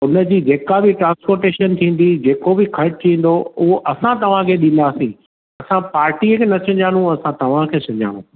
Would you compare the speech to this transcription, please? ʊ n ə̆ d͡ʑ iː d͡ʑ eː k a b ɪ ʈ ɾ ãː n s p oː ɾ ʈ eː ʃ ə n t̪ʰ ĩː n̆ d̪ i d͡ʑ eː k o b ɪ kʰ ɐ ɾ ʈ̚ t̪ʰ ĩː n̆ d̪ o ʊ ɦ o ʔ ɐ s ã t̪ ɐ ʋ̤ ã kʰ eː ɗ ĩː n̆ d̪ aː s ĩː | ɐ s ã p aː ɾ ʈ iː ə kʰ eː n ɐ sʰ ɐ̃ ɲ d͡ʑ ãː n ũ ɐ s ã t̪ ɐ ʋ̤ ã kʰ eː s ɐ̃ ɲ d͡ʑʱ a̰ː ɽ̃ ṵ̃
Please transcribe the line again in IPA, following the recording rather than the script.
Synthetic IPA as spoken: ʊ n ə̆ d͡ʑ iː d͡ʑ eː k a b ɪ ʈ ɾ ãː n s p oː ɾ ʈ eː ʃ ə n t̪ʰ ĩː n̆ d̪ i d͡ʑ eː k o b ɪ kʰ ɐ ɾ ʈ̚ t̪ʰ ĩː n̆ d̪ o ʊ ɦ o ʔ ɐ s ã t̪ ɐ ʋ̤ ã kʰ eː ɗ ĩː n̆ d̪ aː s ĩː | ɐ s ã p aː ɾ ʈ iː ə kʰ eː n ɐ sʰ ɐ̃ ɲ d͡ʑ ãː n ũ ɐ s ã t̪ ɐ ʋ̤ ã kʰ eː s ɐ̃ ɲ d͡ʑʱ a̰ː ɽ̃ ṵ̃